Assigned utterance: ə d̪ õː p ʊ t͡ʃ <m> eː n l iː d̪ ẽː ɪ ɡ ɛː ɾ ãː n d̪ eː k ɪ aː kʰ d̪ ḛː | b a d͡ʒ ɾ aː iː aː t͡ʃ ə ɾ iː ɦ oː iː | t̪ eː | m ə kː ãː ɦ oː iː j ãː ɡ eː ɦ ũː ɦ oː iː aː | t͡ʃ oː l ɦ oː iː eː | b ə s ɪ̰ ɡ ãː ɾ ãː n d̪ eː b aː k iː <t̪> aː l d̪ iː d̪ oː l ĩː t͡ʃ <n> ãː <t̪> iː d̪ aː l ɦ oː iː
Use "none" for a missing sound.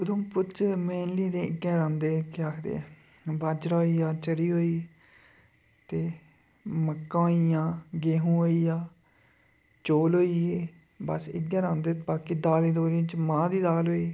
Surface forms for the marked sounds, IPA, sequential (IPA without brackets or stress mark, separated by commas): m, d̪, m, d̪